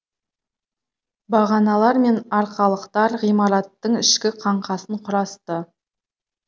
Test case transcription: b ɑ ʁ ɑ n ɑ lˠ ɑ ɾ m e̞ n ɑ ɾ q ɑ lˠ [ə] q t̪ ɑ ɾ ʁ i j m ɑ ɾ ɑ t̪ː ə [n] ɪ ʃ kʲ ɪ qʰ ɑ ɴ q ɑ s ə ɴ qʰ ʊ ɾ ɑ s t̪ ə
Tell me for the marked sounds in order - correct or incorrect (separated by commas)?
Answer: correct, incorrect